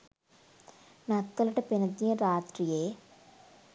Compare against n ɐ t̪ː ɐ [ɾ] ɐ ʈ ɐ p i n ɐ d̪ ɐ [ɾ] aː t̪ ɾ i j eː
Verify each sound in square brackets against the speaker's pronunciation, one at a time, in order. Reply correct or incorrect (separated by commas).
incorrect, correct